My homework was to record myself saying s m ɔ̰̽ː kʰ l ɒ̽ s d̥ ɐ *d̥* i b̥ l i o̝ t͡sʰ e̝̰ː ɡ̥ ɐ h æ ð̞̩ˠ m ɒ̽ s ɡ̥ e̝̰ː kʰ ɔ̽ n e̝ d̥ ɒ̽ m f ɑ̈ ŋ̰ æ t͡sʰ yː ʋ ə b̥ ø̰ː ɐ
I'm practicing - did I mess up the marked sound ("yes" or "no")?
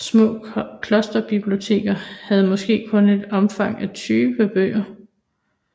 yes